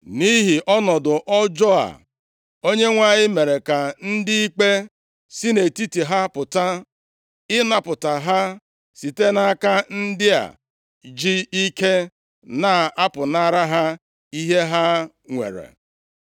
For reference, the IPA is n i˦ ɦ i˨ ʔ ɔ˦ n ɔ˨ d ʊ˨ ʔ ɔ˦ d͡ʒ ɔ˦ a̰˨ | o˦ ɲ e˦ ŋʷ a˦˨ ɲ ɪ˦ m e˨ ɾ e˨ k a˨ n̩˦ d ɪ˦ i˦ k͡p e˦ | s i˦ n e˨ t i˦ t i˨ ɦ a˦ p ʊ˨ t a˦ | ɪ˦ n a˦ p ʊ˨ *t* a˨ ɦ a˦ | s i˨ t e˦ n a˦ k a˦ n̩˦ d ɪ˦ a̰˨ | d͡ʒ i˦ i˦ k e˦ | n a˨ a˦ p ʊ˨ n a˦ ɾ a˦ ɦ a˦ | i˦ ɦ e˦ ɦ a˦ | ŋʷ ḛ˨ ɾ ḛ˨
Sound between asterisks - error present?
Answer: no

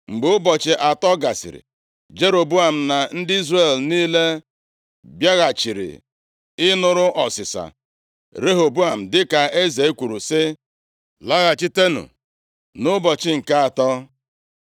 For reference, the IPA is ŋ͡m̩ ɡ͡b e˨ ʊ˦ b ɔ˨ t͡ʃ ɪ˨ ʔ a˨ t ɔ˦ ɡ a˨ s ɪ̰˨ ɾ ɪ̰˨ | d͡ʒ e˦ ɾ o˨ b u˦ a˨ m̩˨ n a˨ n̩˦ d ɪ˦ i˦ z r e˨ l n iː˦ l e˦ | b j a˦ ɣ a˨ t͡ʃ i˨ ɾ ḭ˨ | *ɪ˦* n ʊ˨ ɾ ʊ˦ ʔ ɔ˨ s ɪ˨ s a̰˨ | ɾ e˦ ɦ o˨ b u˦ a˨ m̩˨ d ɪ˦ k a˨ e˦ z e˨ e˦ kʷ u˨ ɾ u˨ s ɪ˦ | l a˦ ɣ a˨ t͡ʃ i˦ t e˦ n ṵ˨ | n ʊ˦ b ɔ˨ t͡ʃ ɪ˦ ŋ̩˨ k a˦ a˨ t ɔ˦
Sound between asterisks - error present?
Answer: no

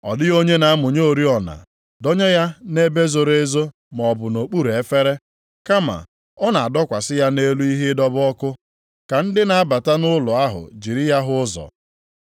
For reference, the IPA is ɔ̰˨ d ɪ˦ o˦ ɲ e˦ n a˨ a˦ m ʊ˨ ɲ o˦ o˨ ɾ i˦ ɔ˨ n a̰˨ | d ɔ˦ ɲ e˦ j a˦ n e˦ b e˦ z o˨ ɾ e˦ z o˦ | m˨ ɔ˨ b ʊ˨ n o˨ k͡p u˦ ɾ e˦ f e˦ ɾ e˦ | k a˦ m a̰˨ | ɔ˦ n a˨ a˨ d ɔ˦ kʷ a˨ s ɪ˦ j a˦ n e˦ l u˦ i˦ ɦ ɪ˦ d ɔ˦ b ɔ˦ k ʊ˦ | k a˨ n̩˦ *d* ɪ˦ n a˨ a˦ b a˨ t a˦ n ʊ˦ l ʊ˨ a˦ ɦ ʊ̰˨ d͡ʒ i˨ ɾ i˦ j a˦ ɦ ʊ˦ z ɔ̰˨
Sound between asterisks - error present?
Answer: no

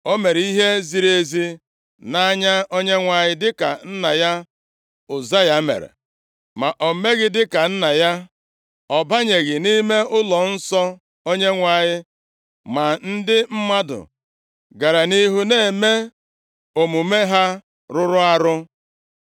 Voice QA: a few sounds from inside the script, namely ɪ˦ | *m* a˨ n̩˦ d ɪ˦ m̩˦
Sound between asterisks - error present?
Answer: no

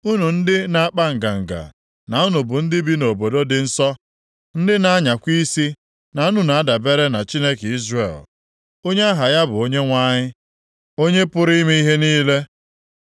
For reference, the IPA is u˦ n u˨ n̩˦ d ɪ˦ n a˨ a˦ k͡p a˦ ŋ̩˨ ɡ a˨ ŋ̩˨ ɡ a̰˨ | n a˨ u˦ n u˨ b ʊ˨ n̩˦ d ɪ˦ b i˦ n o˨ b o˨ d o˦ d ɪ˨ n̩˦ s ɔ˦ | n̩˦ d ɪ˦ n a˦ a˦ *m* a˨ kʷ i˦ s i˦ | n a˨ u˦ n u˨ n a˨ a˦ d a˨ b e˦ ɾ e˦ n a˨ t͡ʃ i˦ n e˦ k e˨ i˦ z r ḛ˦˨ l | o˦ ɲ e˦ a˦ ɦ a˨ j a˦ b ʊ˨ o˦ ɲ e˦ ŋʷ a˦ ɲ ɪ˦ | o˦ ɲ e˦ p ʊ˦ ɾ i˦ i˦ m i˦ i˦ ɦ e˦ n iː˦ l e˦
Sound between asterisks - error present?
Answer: yes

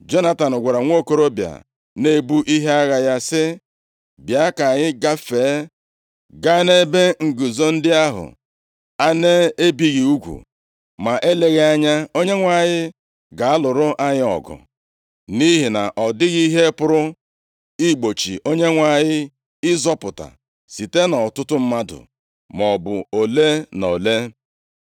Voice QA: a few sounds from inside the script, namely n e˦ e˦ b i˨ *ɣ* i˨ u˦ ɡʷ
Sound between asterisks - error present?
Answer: no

